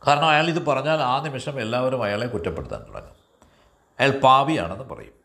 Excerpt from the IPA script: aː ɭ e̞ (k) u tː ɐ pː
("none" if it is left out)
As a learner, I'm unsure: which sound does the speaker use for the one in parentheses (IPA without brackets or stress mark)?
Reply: k